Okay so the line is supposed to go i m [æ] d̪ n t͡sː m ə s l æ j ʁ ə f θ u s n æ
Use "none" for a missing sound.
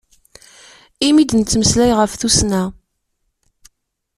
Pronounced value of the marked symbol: i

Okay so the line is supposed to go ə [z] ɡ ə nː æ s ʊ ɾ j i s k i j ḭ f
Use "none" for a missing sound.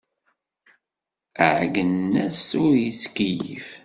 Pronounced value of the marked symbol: ʕ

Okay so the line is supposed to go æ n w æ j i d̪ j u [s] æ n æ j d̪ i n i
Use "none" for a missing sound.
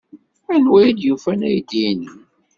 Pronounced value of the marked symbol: f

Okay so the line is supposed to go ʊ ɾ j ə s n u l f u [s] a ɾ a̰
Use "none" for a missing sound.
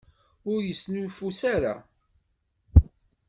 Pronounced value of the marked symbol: s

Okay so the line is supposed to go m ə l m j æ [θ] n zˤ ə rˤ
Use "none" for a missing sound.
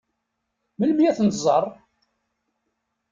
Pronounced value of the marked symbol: θ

